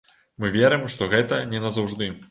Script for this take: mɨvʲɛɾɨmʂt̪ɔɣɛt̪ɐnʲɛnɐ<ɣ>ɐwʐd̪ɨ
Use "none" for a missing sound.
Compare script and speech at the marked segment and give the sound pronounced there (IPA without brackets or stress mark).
z